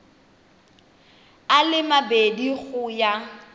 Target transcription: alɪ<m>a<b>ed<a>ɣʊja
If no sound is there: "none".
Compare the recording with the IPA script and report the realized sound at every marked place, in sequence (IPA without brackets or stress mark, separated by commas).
m, b, i